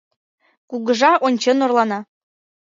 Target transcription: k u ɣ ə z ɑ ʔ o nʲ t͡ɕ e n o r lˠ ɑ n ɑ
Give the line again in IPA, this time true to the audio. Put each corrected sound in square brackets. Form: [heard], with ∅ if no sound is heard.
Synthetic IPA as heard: k u ɣ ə [ʒ] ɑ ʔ o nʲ t͡ɕ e n o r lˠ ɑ n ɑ

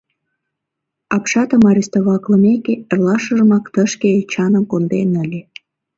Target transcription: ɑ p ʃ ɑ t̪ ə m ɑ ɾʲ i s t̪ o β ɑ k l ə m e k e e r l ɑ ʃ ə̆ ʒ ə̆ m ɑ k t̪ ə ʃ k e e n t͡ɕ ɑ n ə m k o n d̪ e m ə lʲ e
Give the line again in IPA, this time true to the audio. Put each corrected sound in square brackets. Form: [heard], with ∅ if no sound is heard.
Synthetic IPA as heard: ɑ p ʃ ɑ t̪ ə m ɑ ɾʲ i s t̪ o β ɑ k l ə m e k e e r l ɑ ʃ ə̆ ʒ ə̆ m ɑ k t̪ ə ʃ k e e [∅] t͡ɕ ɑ n ə m k o n d̪ e [n] ə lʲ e

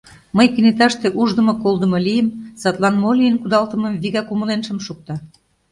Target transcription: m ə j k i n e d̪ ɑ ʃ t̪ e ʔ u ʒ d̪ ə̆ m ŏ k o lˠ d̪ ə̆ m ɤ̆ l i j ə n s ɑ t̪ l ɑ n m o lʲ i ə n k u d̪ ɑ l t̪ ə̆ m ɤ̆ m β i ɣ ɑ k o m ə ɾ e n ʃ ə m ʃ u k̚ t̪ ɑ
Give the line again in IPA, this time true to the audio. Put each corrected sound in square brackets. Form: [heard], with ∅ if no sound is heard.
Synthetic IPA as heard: m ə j k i n e [t̪] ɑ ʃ t̪ e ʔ u ʒ d̪ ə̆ m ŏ k o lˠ d̪ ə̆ m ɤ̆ l i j ə [m] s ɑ t̪ l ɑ n m o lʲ i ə n k u d̪ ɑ l t̪ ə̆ m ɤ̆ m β i ɣ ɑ k [u] m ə [l] e n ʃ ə m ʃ u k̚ t̪ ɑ

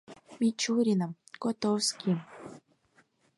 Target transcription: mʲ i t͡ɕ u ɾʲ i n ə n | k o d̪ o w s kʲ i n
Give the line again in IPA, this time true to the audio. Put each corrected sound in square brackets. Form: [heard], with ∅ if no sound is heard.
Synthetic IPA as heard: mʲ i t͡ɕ u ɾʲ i n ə [m] | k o [t̪] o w s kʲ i [m]

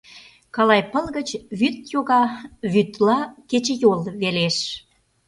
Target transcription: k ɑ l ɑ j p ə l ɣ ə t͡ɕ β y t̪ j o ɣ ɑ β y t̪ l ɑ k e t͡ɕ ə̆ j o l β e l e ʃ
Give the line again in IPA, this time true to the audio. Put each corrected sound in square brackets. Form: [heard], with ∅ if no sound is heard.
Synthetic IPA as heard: k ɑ l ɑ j p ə l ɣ ə t͡ɕ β y t̪ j o ɣ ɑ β y t̪ l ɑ k e t͡ɕ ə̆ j o l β e l e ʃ

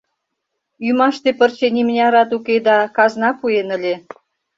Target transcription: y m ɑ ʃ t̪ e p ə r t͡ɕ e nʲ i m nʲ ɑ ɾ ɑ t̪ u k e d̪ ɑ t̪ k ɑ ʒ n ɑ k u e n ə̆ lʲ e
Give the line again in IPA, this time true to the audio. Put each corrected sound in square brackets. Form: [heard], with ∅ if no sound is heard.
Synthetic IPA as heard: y m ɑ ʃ t̪ e p ə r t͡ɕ e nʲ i m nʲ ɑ ɾ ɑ t̪ u k e d̪ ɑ [∅] k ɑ [z] n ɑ [p] u e n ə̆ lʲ e

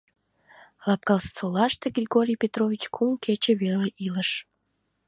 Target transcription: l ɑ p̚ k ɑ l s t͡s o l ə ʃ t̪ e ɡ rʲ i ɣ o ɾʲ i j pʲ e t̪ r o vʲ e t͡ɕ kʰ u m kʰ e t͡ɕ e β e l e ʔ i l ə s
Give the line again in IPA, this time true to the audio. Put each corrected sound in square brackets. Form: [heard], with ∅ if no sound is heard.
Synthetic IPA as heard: l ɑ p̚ k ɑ l s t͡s o l [ɑ] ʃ t̪ e ɡ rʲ i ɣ o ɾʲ i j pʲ e t̪ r o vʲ [i] t͡ɕ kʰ u m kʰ e t͡ɕ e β e l e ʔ i l ə [ʃ]

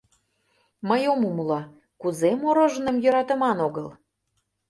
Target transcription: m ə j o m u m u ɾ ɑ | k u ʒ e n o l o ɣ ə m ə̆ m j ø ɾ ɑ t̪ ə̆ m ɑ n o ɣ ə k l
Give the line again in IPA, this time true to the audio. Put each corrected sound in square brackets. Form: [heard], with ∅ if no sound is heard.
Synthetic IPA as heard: m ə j o m u m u [l] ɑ | k u [z] e [m] o [ɾ] o [ʒ] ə [n] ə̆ m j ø ɾ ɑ t̪ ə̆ m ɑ n o ɣ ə [∅] l

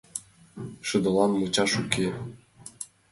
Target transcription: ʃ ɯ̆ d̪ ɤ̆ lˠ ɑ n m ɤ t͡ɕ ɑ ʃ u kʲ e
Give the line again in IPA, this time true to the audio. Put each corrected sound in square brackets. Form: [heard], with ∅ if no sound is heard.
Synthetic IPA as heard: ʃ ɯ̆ d̪ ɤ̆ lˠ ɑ n m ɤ t͡ɕ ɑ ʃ u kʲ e

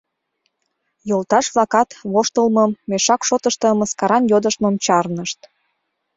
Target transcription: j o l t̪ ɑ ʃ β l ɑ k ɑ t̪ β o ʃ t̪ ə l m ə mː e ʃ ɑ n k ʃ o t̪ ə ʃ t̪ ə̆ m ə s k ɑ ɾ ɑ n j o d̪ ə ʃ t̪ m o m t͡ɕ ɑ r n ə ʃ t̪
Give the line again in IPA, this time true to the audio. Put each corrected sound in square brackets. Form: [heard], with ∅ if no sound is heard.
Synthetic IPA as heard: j o l t̪ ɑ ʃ β l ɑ k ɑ t̪ β o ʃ t̪ ə l m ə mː e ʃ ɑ [∅] k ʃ o t̪ ə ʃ t̪ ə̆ m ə s k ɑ ɾ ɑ n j o d̪ ə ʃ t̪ m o m t͡ɕ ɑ r n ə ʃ t̪

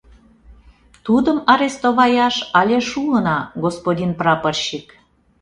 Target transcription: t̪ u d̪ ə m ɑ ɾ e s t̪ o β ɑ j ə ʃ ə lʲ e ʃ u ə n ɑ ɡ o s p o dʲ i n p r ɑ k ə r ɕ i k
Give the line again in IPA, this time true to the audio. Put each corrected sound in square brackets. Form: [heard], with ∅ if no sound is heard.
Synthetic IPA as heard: t̪ u d̪ ə m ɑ ɾ e s t̪ o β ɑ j [ɑ] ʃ [ɑ] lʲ e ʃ u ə n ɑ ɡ o s p o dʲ i n p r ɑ [p] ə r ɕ i k

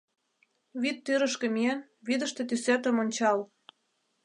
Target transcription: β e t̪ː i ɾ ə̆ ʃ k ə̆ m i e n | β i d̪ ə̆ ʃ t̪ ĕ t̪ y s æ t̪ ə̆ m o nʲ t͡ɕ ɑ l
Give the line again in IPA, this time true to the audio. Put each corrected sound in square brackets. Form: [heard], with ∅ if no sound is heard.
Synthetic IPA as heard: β [i] t̪ː [y] ɾ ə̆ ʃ k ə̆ m i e n | β i d̪ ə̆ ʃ t̪ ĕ t̪ y s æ t̪ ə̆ m o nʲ t͡ɕ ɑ l

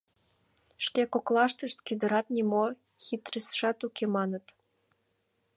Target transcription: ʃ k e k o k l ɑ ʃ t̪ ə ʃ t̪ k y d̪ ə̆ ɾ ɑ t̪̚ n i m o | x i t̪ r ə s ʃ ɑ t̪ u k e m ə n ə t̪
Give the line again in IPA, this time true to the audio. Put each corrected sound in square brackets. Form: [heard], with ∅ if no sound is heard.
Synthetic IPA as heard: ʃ k e k o k l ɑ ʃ t̪ ə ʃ t̪ k y d̪ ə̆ ɾ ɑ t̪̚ n i m o | x i t̪ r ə s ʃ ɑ t̪ u k e m [ɑ] n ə t̪

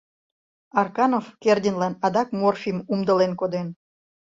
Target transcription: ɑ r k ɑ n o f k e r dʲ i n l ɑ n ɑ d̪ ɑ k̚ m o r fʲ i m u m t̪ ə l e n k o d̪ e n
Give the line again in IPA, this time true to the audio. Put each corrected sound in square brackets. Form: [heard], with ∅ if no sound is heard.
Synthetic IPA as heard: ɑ r k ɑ n o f k e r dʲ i n l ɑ n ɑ d̪ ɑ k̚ m o r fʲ i m u m [d̪] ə l e n k o d̪ e n

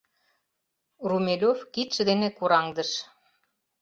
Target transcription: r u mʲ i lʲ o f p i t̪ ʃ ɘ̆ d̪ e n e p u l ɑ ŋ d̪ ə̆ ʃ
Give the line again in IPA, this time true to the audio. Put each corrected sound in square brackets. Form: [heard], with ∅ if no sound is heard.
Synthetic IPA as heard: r u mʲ [e] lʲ o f [k] i t̪ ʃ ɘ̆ d̪ e n e [k] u [ɾ] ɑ ŋ d̪ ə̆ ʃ

